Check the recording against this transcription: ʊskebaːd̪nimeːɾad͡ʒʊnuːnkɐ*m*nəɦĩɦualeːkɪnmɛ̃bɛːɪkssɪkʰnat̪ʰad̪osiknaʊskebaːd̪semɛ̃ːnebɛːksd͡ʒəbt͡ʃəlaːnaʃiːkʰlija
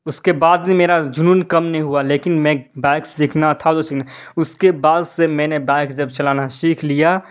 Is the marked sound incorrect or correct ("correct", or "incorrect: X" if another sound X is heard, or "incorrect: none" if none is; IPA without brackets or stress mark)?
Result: correct